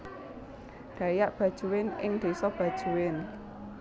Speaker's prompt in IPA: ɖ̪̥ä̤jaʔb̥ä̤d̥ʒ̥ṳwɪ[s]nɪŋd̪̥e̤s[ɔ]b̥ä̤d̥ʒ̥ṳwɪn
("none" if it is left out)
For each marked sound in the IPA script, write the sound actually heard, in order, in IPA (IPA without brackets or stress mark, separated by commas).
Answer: none, ɔ